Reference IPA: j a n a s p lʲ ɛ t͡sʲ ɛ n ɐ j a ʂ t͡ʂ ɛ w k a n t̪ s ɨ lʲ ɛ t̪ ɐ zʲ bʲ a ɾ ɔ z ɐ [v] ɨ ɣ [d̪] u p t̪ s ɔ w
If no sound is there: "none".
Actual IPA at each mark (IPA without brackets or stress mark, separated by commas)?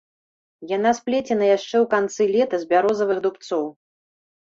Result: v, d̪